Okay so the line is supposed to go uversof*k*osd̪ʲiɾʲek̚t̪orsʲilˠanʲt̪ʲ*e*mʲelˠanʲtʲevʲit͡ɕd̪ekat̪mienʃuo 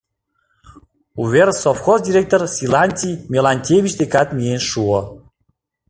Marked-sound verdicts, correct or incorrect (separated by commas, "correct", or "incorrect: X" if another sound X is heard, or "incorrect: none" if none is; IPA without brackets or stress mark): incorrect: x, incorrect: i